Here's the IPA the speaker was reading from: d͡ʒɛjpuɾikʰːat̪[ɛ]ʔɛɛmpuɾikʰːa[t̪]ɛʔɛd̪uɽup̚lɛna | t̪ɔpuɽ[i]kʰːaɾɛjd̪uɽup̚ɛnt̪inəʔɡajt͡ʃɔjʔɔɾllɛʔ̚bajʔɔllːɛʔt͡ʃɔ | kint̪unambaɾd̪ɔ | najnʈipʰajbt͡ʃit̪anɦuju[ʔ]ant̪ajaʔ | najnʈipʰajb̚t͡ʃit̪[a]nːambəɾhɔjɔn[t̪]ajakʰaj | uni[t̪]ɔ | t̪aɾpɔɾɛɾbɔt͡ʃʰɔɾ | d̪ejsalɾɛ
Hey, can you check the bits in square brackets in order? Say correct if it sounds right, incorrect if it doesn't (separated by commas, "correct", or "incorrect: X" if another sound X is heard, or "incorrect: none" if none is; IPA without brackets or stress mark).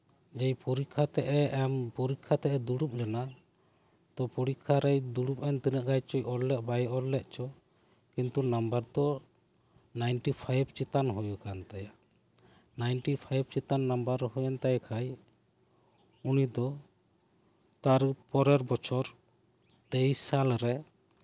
correct, correct, correct, incorrect: k, correct, correct, incorrect: d̪